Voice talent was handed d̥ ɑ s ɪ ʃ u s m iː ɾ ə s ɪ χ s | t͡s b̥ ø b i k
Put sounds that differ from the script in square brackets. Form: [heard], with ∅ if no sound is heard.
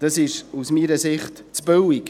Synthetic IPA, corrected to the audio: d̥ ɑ s ɪ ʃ u s m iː ɾ ə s ɪ χ [t] | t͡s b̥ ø [w] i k